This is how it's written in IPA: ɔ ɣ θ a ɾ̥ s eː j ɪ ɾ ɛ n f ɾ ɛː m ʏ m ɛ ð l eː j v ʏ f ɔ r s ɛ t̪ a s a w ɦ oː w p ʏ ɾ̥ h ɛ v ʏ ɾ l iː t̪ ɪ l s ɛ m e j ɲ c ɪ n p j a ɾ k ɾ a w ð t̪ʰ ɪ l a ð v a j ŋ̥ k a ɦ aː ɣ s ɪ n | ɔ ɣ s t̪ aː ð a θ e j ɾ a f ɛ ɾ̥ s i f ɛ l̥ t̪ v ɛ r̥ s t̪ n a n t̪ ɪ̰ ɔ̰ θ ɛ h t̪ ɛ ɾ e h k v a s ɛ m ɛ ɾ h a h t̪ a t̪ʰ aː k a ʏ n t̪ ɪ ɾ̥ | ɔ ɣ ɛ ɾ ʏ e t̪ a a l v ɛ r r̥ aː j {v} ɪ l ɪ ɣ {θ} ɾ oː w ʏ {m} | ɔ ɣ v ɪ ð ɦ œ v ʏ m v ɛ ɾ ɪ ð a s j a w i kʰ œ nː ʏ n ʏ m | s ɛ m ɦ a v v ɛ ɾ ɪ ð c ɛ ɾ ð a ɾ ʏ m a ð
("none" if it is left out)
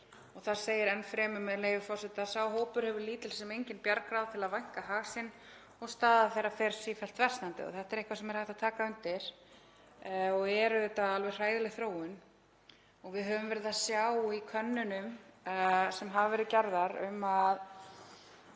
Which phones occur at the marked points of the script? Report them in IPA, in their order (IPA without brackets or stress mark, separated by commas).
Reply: ð, θ, n